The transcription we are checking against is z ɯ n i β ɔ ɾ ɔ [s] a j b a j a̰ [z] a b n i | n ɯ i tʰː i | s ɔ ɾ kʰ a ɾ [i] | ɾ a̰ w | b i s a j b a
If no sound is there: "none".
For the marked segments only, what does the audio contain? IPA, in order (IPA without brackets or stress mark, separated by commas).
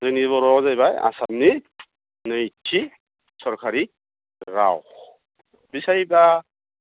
z, s, i